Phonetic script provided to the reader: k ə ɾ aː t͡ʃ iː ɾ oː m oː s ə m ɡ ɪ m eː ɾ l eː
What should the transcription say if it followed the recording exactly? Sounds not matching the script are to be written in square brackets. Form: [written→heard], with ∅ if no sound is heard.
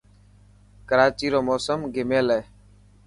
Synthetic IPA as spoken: k ə ɾ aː t͡ʃ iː ɾ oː m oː s ə m ɡ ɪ m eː [ɾ→∅] l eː